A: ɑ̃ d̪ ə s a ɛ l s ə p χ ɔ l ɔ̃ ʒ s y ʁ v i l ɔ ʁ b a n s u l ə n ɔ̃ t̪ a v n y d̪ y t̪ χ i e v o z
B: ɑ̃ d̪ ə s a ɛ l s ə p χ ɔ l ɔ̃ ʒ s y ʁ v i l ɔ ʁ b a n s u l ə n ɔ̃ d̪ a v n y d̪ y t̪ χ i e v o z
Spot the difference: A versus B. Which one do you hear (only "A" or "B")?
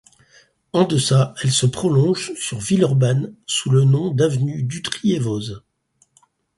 B